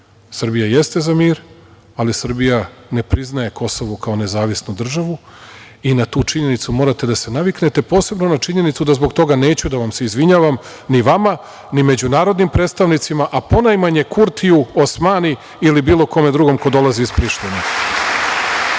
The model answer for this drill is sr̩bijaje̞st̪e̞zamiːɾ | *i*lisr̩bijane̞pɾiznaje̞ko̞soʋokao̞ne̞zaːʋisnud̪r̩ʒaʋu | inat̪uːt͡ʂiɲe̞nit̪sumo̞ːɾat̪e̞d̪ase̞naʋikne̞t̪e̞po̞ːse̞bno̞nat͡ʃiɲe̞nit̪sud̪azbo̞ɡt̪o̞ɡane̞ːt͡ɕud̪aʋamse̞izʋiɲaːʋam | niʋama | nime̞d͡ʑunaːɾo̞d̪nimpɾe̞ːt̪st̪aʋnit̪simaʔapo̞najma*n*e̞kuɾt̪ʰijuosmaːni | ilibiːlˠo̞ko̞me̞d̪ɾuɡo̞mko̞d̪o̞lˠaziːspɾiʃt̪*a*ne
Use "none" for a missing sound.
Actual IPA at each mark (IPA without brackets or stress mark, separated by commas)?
a, ɲ, i